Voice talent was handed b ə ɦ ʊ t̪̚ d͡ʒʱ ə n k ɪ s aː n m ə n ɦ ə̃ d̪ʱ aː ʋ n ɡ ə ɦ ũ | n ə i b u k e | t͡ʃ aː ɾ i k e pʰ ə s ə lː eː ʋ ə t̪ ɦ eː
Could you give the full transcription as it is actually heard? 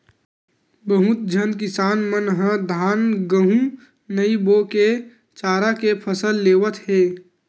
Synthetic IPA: b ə ɦ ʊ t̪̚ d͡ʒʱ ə n k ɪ s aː n m ə n ɦ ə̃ d̪ʱ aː n ɡ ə ɦ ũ | n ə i b o k e | t͡ʃ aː ɾ a k e pʰ ə s ə lː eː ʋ ə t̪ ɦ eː